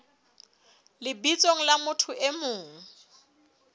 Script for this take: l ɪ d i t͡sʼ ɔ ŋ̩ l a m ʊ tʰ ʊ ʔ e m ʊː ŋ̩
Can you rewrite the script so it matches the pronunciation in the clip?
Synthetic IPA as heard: l ɪ b i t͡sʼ o ŋ̩ l a m ʊ tʰ ʊ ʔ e m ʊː ŋ̩